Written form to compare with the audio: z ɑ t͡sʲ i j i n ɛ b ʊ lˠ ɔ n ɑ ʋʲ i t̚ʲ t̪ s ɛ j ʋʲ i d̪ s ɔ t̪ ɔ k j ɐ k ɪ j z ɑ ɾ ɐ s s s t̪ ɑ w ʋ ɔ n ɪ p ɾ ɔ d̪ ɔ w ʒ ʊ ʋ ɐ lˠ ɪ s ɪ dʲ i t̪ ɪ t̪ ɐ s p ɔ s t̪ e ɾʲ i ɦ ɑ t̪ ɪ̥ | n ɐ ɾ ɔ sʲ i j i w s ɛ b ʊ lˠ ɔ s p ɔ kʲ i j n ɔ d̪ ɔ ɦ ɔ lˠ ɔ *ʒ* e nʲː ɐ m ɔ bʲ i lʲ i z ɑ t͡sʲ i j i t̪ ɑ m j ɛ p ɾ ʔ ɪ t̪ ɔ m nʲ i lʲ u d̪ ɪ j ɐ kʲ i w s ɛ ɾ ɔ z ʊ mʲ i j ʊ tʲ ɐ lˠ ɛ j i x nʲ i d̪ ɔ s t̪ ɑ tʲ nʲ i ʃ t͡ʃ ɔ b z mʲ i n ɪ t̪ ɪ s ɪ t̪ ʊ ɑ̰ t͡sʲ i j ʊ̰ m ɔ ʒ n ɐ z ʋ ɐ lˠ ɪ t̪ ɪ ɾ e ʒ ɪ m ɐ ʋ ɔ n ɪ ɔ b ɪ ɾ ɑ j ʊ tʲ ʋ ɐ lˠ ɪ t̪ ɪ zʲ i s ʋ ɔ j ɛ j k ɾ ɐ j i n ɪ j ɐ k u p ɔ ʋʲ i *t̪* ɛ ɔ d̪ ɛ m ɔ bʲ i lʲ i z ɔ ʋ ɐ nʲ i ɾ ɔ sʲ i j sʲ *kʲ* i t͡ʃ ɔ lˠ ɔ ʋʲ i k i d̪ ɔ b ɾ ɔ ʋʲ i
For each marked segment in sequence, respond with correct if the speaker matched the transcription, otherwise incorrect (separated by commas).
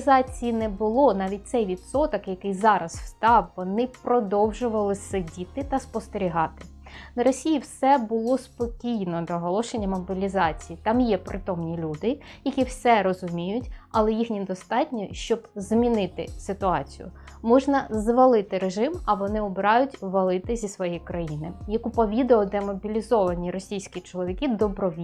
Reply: incorrect, incorrect, correct